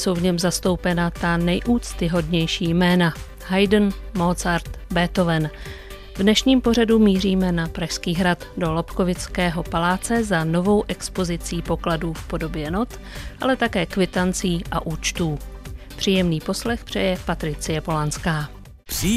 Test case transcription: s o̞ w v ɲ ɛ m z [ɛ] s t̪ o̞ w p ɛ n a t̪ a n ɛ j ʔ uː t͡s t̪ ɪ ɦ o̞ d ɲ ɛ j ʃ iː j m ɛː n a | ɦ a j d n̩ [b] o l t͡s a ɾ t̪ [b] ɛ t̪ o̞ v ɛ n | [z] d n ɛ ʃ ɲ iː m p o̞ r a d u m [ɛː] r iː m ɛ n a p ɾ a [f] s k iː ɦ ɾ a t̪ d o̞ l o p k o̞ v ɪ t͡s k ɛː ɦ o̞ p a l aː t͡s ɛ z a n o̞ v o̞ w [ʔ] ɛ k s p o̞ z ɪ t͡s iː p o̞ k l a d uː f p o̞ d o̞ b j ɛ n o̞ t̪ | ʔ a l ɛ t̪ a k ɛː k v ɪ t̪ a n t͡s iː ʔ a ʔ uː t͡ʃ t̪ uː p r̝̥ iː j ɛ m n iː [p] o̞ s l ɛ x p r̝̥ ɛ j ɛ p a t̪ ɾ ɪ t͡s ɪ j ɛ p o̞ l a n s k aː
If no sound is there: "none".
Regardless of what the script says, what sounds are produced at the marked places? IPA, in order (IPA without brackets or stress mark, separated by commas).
a, m, b, v, iː, ʃ, ʔ, p